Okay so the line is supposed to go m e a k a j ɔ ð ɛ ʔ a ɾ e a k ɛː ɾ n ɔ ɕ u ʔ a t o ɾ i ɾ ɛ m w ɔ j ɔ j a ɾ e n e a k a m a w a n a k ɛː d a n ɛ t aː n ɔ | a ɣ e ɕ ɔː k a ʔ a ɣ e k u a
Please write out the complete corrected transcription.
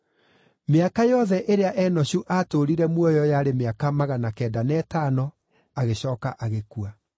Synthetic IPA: m e a k a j ɔ ð ɛ ʔ e ɾ e a ʔ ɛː n ɔ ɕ u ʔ a t o ɾ i ɾ ɛ m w ɔ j ɔ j a ɾ e m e a k a m a ɣ a n a k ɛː d a n ɛ t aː n ɔ | a ɣ e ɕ ɔː k a ʔ a ɣ e k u a